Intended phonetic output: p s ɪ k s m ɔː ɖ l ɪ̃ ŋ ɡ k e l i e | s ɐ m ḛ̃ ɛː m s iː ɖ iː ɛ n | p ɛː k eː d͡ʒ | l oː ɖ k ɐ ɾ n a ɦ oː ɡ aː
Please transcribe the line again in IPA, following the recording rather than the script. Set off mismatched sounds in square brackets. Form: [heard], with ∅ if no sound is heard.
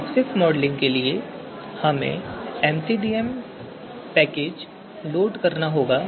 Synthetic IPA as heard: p s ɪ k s m ɔː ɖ l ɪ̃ ŋ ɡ k e l i e | [h] ɐ m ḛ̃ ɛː m s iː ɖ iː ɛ [m] | p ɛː k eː d͡ʒ | l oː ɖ k ɐ ɾ n a ɦ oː ɡ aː

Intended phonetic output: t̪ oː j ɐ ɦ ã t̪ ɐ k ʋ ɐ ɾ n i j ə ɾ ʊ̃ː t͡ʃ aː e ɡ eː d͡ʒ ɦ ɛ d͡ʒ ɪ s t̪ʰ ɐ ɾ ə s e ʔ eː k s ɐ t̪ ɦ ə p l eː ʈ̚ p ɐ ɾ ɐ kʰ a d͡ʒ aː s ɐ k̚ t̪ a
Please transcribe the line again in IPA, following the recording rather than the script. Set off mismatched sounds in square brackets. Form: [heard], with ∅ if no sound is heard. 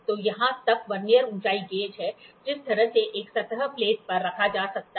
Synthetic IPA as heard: t̪ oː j ɐ ɦ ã t̪ ɐ k ʋ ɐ ɾ n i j ə ɾ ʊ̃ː t͡ʃ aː [i] ɡ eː d͡ʒ ɦ ɛ d͡ʒ ɪ s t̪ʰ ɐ ɾ ə s e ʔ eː k s ɐ t̪ ɦ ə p l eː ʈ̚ p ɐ [ɾː] ɐ kʰ a d͡ʒ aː s ɐ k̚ t̪ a

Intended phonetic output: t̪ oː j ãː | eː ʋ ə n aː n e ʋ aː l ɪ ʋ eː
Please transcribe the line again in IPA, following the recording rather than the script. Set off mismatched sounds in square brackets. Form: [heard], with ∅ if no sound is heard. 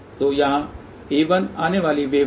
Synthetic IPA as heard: t̪ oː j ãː | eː ʋ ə n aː n e ʋ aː l [i] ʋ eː

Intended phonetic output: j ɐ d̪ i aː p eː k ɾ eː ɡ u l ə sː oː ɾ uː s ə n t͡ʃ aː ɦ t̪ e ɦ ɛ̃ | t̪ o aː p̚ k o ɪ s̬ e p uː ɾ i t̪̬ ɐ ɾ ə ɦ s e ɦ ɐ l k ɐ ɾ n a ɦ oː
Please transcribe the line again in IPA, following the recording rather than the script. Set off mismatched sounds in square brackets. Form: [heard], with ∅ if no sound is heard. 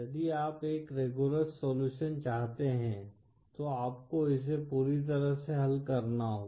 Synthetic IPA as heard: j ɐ d̪ i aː p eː k ɾ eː ɡ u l ə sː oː [l] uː [ʃ] ə n t͡ʃ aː ɦ t̪ e ɦ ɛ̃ | t̪ o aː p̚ k o ɪ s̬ e p uː ɾ i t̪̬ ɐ ɾ ə ɦ s e ɦ ɐ l k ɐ ɾ n a ɦ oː

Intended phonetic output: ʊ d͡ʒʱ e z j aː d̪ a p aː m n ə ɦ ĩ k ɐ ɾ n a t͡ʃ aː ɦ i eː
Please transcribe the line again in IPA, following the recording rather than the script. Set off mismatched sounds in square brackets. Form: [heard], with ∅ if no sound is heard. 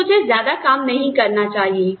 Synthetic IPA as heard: ʊ d͡ʒʱ e z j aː d̪ a [k] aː m n [ɐ] ɦ ĩ k ɐ ɾ n a t͡ʃ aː ɦ i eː

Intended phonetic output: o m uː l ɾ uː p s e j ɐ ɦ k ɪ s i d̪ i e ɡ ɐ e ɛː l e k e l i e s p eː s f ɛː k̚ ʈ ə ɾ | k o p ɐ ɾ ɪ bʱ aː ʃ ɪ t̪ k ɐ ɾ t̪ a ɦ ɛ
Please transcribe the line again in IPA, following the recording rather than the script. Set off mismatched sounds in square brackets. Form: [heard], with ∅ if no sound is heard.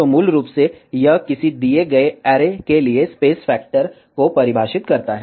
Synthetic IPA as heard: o m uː l ɾ uː p s e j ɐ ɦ k ɪ s i d̪ i e ɡ ɐ e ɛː [ɾ] e k e l i e s p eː s f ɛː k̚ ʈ ə ɾ | k o p ɐ ɾ ɪ bʱ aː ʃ ɪ t̪ k ɐ ɾ t̪ a ɦ ɛ

